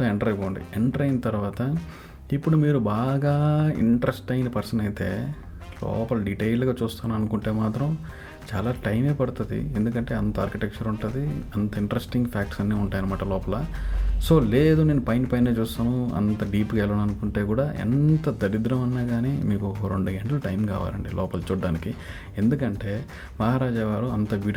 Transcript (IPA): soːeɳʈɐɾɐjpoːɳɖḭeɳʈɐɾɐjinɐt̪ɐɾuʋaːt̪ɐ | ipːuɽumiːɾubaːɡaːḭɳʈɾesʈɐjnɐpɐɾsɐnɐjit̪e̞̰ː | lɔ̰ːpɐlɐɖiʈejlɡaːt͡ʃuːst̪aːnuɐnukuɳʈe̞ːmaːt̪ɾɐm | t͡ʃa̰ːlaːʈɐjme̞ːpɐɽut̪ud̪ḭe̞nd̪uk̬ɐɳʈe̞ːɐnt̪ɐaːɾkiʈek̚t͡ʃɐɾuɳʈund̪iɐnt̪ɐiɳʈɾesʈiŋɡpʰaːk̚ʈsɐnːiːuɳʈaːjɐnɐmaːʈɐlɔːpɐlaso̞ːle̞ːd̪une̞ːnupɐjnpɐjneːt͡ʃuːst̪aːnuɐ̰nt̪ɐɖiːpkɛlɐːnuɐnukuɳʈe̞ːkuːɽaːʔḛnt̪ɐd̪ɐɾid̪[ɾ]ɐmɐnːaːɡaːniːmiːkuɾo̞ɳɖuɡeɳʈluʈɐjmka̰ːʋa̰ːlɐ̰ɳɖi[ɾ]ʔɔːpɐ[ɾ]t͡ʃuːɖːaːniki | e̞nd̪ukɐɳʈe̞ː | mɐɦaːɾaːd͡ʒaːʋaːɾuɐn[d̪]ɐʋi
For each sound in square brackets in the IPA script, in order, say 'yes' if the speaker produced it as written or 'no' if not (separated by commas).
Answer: yes, no, no, no